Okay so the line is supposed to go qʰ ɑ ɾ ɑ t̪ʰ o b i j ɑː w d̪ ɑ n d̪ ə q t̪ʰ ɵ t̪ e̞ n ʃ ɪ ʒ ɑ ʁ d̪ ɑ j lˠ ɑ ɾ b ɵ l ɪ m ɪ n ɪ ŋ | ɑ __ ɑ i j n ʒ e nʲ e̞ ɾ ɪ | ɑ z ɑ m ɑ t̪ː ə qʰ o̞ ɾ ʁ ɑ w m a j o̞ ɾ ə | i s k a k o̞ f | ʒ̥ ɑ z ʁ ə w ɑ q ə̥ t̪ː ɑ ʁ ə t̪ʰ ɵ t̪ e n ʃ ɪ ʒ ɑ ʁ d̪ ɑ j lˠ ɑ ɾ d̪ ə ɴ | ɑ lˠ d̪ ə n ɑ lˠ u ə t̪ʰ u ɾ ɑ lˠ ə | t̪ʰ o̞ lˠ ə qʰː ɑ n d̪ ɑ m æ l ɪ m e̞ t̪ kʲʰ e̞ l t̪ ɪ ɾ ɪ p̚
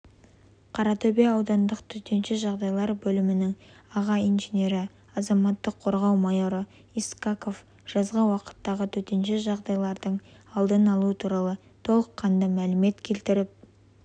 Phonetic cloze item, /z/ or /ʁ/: ʁ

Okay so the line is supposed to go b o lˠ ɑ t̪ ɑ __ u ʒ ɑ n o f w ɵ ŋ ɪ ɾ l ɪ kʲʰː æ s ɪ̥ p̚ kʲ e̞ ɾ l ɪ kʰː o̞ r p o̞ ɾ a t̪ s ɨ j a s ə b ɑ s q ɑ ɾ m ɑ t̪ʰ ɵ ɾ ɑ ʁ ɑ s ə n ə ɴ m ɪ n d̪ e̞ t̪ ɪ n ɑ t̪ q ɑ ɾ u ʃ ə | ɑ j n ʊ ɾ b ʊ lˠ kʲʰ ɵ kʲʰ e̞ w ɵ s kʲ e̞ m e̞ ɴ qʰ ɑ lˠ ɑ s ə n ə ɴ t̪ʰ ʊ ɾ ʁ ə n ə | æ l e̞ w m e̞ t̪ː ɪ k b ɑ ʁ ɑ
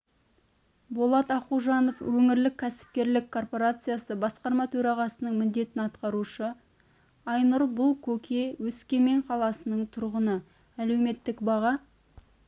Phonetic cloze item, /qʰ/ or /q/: q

